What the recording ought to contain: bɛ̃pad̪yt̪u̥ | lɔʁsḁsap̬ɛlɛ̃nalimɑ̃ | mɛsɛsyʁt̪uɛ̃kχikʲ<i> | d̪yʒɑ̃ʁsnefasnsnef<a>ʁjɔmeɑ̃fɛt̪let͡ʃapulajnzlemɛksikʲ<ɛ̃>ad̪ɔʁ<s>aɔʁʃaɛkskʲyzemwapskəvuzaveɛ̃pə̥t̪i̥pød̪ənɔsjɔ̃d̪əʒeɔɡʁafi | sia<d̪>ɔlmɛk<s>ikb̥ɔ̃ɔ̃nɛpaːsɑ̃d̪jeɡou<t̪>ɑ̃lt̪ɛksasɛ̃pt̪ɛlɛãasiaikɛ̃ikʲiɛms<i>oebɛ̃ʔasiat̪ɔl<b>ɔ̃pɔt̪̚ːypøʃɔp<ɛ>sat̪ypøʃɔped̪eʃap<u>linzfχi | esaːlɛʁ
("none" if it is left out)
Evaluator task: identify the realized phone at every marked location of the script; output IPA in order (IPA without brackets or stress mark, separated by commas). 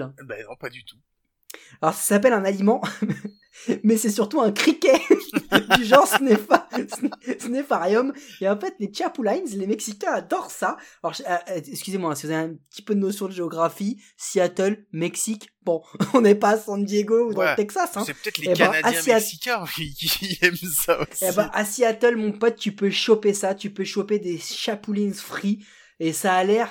ɛ, a, ɛ̃, s, t̪, s, d̪, a, m, e, u